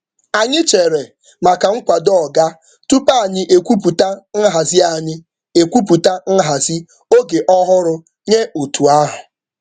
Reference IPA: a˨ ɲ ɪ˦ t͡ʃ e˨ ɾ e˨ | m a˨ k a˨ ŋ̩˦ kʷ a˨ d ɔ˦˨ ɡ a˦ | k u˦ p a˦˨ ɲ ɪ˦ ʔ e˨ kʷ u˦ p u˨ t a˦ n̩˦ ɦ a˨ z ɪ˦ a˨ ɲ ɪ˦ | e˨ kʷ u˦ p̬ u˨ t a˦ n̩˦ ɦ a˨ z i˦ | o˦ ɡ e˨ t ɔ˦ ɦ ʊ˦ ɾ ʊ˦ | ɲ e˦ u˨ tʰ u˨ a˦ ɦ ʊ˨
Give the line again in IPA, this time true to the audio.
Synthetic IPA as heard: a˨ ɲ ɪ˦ t͡ʃ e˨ ɾ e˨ | m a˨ k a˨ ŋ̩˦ kʷ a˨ d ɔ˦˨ ɡ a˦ | t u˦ p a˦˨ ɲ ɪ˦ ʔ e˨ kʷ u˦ p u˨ t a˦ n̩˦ ɦ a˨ z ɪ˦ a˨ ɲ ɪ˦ | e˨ kʷ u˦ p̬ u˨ t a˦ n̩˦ ɦ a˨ z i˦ | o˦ ɡ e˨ ʔ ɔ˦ ɦ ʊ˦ ɾ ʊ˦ | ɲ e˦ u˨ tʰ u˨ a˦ ɦ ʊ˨